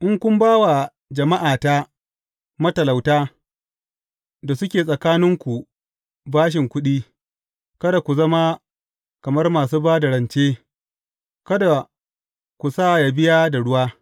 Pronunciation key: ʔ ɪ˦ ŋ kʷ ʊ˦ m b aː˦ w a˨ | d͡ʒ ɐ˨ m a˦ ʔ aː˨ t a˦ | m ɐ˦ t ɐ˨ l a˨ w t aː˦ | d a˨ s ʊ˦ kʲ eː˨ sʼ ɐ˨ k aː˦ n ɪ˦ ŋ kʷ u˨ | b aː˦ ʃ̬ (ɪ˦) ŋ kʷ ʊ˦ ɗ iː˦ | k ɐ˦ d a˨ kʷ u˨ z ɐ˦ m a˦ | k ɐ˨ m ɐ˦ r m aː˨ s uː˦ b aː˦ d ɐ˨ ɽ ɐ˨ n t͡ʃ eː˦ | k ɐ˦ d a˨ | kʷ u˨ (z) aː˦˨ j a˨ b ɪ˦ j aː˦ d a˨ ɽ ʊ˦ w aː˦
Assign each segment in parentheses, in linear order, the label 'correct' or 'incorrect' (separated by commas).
incorrect, incorrect